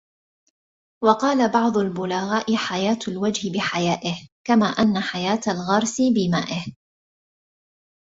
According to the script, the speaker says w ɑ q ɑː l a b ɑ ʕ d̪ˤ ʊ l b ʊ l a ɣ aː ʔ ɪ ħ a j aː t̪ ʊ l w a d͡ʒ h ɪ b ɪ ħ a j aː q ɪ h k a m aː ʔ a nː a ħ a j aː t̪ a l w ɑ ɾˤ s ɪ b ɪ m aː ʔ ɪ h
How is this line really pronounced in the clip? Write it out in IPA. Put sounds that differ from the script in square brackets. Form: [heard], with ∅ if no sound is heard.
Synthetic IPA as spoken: w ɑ q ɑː l a b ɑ ʕ d̪ˤ ʊ l b ʊ l a ɣ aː ʔ ɪ ħ a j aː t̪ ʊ l w a d͡ʒ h ɪ b ɪ ħ a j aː [ʔ] ɪ h k a m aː ʔ a nː a ħ a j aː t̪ a l [ɣ] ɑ ɾˤ s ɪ b ɪ m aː ʔ ɪ h